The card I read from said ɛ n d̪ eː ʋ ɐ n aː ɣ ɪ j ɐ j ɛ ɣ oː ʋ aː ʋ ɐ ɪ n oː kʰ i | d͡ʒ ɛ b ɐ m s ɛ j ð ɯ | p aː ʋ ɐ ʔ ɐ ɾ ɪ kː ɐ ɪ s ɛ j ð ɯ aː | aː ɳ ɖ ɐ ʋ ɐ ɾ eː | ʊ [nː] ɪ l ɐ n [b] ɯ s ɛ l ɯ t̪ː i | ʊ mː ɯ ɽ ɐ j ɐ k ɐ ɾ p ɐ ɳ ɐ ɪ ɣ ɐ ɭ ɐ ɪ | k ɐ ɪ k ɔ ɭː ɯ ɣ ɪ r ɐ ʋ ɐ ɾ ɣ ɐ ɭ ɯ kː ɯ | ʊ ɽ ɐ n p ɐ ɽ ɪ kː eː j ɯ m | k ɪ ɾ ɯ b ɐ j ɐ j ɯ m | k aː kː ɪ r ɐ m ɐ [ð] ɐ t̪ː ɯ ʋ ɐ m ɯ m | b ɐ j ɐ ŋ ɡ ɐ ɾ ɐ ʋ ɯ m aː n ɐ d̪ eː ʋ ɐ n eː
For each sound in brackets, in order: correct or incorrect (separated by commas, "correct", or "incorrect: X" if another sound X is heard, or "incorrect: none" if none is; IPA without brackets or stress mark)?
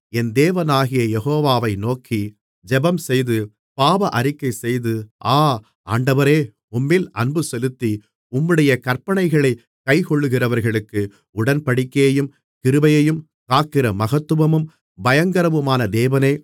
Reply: incorrect: mː, correct, incorrect: ɣ